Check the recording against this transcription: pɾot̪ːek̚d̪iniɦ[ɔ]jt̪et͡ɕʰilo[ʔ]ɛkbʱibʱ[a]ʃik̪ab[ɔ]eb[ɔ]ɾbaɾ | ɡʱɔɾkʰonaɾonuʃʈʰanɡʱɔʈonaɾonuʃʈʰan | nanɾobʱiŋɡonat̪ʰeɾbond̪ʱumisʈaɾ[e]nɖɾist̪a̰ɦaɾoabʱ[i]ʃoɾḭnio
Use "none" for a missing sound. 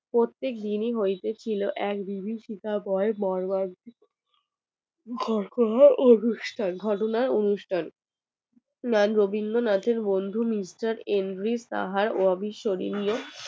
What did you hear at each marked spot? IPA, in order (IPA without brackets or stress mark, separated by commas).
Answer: o, ʔ, i, ɔ, ɔ, e, i